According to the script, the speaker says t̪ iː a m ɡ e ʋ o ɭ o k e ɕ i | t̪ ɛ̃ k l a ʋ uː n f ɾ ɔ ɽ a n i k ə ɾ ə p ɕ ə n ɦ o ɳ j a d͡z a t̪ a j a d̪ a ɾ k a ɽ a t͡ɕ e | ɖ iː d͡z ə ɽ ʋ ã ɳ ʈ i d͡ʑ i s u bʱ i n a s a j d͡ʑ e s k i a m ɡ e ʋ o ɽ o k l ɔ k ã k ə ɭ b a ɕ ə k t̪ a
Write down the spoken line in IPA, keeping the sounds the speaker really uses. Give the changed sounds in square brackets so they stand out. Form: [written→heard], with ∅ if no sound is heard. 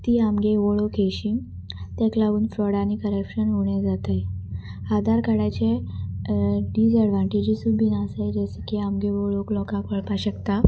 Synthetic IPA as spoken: t̪ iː a m ɡ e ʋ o ɭ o k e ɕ i | t̪ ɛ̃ k l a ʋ uː n f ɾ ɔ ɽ a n i k ə ɾ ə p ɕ ə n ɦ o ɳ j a d͡z a t̪ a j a d̪ a ɾ k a ɽ a t͡ɕ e | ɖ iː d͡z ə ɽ ʋ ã ɳ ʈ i d͡ʑ i s u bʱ i n a s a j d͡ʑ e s k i a m ɡ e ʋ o [ɽ→ɭ] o k l ɔ k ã k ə ɭ [b→p] a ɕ ə k t̪ a